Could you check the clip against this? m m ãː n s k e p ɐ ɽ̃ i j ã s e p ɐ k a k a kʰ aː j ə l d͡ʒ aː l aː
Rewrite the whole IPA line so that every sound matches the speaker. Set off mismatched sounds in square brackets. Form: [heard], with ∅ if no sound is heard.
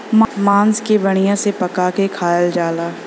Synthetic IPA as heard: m m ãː n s k e [b] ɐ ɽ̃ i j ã s e p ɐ k a k [e] kʰ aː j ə l d͡ʒ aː l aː